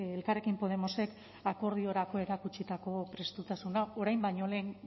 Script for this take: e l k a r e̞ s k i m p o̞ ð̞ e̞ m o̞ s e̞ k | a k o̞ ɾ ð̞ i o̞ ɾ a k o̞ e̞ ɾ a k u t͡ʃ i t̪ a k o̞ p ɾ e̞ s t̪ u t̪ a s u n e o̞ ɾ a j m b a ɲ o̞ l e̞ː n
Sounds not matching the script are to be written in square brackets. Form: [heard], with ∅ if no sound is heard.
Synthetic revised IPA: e l k a r e̞ [∅] k i m p o̞ ð̞ e̞ m o̞ s e̞ k | a k o̞ ɾ ð̞ i o̞ ɾ a k o̞ e̞ ɾ a k u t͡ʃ i t̪ a k o̞ p ɾ e̞ s t̪ u t̪ a s u n [a] o̞ ɾ a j m b a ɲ o̞ l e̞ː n